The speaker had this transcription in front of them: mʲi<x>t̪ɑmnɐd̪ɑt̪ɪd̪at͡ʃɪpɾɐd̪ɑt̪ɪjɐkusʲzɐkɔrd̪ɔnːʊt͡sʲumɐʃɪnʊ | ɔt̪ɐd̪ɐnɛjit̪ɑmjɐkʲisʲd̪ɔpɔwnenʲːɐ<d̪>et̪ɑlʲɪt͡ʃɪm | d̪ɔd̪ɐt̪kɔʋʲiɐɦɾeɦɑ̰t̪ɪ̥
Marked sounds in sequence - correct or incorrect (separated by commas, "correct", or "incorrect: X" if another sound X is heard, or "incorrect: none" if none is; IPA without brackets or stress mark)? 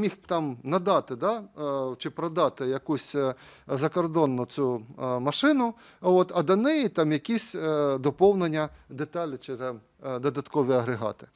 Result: correct, correct